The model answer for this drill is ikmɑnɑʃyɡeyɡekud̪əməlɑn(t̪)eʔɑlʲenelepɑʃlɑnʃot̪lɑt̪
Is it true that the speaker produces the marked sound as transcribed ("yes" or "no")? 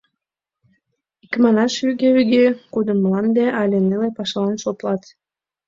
no